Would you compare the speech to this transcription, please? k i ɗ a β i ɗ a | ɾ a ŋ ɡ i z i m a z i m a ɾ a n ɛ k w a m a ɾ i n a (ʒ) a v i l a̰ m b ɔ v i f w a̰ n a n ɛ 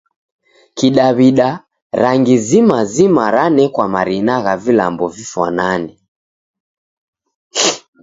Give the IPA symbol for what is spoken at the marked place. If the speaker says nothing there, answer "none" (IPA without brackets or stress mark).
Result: ɣ